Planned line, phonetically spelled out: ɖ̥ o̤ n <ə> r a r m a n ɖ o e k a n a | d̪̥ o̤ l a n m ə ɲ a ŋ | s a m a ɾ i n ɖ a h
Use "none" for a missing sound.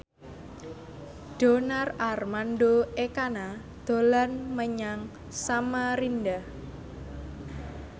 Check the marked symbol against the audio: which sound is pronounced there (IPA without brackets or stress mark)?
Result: a